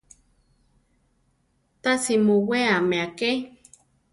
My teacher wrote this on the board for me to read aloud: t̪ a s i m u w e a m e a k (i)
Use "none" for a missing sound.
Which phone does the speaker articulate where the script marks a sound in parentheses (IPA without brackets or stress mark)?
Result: e